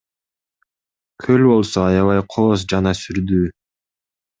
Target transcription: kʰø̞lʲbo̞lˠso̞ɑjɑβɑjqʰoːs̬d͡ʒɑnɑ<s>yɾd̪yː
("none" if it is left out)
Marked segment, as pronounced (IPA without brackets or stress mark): s